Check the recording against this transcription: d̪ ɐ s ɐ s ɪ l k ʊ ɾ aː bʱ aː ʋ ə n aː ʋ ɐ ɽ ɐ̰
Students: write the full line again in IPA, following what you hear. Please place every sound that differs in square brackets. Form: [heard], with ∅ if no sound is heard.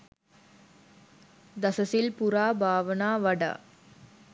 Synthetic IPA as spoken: d̪ ɐ s ɐ s ɪ l [p] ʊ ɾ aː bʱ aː ʋ [ɐ] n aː ʋ ɐ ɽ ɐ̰

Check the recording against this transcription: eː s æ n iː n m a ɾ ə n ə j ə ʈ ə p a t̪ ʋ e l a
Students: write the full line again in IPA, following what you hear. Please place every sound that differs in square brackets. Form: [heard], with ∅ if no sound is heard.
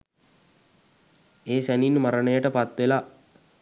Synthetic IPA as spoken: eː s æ n [i] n m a ɾ ə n ə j ə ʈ ə p a t̪ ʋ e l a

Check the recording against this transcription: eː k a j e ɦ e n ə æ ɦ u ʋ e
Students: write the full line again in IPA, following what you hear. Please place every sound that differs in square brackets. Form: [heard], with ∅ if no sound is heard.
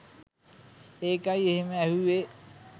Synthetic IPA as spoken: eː k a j e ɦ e [m] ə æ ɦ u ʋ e

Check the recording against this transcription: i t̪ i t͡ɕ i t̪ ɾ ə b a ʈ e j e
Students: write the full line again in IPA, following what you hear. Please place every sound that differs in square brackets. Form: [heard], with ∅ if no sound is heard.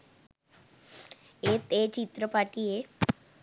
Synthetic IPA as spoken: [e] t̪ [e] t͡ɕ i t̪ ɾ ə [p] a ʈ [i] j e

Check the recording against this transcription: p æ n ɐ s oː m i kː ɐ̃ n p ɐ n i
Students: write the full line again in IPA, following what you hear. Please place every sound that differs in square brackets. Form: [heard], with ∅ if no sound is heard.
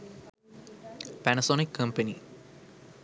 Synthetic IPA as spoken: p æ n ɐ s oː [n] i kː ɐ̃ [m] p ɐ n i

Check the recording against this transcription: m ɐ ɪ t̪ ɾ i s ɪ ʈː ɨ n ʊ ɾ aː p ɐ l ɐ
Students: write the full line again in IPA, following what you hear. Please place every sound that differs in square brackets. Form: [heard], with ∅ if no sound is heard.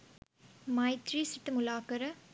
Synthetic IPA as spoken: m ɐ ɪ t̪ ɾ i s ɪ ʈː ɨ [m] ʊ [l] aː [k] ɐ [ɾ] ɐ

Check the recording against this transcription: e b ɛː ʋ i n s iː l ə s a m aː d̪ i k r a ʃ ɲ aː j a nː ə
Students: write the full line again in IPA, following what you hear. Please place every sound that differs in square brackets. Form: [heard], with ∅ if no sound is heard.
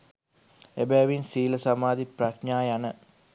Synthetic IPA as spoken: e b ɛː ʋ i n s iː l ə s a m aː d̪ i [p] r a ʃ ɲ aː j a [n] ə

